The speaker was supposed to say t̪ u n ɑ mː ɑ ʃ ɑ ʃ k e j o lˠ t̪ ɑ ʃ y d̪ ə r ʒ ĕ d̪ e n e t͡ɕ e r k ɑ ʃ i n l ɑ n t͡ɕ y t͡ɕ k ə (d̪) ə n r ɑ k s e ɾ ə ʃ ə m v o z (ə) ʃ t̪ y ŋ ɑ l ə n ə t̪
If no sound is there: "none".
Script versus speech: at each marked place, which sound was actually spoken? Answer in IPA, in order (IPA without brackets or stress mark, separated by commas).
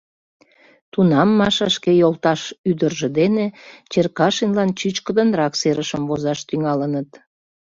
d̪, ɑ